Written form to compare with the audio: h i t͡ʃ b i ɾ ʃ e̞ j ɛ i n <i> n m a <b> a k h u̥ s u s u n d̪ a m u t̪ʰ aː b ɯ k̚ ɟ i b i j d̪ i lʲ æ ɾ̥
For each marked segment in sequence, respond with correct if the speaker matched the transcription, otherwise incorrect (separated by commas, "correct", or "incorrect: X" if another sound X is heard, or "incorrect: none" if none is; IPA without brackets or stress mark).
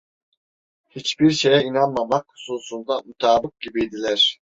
incorrect: a, incorrect: m